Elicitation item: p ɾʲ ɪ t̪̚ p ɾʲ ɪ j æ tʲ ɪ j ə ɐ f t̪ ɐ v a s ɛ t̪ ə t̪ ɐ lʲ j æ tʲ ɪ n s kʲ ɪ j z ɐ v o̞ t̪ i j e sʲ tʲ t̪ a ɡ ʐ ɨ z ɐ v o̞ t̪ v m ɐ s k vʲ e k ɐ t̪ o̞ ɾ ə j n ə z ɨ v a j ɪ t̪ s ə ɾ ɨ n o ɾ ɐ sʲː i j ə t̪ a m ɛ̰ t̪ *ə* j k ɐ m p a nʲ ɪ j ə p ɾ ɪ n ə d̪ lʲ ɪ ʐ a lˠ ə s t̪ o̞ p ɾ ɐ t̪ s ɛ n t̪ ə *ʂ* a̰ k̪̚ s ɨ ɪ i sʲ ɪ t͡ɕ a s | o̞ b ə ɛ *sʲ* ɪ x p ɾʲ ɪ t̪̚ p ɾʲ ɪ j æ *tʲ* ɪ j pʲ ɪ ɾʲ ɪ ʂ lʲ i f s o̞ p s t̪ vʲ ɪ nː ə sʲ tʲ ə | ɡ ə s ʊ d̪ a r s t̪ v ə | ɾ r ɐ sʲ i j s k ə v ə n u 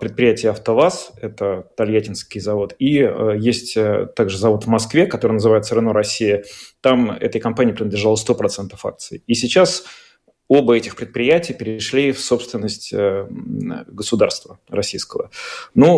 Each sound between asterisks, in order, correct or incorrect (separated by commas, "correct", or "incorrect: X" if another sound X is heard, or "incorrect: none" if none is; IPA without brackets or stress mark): correct, incorrect: f, incorrect: tʲ, correct